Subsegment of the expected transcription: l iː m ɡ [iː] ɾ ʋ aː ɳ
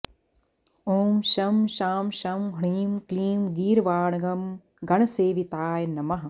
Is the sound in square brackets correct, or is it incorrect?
correct